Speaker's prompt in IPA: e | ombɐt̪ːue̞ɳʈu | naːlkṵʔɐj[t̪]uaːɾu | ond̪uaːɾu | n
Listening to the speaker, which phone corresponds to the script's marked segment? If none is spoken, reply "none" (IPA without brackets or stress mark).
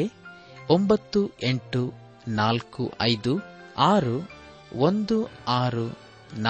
d̪